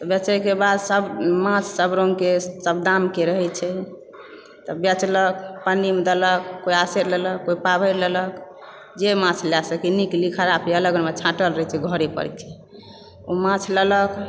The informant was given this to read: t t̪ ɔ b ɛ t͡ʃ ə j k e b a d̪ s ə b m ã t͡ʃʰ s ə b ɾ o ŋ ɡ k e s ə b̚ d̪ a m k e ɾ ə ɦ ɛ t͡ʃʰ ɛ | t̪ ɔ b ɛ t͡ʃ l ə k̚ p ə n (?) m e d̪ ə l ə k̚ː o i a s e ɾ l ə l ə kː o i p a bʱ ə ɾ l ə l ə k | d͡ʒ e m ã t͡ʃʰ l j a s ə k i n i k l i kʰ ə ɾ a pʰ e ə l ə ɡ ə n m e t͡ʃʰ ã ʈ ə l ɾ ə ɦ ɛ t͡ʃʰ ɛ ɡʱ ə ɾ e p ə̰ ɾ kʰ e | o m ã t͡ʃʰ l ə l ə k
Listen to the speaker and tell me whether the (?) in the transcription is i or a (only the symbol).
i